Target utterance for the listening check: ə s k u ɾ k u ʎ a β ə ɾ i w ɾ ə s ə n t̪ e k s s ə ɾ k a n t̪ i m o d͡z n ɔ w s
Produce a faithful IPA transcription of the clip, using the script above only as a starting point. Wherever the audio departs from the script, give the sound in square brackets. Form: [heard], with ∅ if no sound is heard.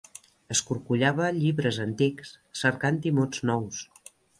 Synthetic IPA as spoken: ə s k u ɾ k u ʎ a β ə [ʎ] i [β] ɾ ə [z] ə n t̪ [i] k s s ə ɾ k a n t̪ i m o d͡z n ɔ w s